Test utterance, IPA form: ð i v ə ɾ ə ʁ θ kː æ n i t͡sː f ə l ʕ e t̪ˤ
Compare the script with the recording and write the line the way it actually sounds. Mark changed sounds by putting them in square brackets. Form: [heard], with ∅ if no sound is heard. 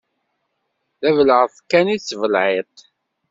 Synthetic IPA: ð [æ] v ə [l] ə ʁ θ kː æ n i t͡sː [v] ə l ʕ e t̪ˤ